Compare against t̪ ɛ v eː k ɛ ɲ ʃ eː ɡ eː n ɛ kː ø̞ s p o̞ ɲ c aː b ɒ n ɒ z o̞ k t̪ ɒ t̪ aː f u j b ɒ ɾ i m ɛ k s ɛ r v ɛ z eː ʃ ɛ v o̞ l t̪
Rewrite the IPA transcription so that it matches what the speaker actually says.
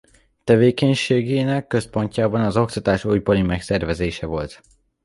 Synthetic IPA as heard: t̪ ɛ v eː k ɛ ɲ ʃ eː ɡ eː n ɛ kː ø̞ s p o̞ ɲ c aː b ɒ n ɒ z o̞ k t̪ ɒ t̪ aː ʃ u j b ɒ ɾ i m ɛ k s ɛ r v ɛ z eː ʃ ɛ v o̞ l t̪